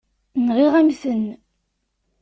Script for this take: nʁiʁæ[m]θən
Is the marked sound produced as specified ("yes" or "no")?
yes